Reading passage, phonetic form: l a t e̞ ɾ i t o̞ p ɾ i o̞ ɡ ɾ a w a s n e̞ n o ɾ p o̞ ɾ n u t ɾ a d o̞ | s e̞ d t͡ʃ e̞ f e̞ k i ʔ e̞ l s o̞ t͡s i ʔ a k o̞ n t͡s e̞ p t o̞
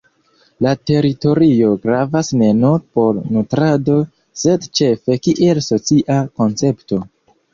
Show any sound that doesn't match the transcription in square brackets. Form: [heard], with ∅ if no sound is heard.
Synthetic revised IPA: l a t e̞ ɾ i t o̞ [∅] ɾ i o̞ ɡ ɾ a [v] a s n e̞ n o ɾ p o̞ ɾ n u t ɾ a d o̞ | s e̞ d t͡ʃ e̞ f e̞ k i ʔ e̞ l s o̞ t͡s i ʔ a k o̞ n t͡s e̞ p t o̞